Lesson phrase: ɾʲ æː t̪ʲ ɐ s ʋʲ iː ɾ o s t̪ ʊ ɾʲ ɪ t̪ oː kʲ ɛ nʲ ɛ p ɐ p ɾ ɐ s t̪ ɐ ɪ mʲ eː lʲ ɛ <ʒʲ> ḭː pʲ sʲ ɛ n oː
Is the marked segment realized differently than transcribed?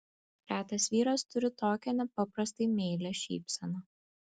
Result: yes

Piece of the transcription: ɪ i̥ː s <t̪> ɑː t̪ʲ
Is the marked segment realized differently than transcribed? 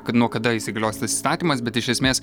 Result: no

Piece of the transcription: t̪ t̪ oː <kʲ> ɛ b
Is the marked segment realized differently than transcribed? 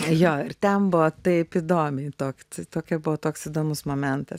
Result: no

